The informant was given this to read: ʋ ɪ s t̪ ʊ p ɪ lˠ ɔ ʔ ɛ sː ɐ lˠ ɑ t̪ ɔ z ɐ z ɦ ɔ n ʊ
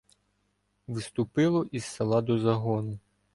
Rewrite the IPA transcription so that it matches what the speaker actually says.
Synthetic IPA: ʋ ɪ s t̪ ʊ p ɪ lˠ ɔ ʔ i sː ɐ lˠ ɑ d̪ ɔ z ɐ ɦ ɔ n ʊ